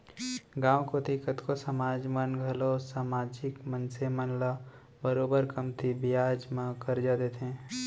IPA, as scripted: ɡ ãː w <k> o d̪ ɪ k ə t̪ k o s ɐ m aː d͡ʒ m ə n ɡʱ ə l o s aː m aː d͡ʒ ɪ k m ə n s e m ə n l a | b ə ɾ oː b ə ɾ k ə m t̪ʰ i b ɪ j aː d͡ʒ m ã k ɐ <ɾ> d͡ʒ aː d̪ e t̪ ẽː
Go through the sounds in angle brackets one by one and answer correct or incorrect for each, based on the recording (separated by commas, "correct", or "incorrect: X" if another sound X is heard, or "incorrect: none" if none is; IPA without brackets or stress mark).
correct, correct